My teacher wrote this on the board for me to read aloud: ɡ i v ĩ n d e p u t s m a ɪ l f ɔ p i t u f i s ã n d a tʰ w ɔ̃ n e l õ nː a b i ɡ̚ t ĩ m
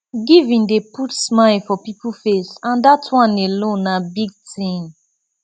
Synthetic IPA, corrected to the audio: ɡ i v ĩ n d e p u t s m a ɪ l f ɔ p i p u f e s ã n d a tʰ w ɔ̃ n e l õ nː a b i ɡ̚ t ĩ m